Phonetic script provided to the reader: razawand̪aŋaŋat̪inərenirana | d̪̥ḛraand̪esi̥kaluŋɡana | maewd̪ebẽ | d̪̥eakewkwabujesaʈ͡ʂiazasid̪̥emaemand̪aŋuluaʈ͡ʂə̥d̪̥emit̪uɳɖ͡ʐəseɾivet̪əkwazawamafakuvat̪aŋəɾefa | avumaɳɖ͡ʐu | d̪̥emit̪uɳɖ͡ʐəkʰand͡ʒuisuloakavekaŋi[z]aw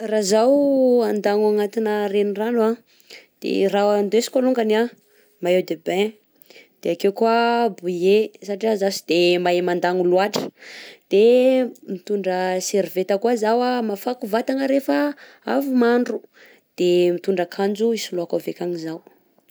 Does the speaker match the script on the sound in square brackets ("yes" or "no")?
yes